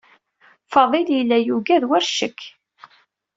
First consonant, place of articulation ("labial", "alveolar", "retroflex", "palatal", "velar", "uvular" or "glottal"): labial